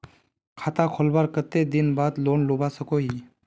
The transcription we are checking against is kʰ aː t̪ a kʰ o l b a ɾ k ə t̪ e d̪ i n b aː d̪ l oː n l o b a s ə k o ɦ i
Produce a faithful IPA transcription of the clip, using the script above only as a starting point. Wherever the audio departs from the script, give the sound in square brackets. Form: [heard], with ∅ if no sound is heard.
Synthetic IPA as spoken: kʰ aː t̪ a kʰ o l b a ɾ k ə t̪ e d̪ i n b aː d̪ l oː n l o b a s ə k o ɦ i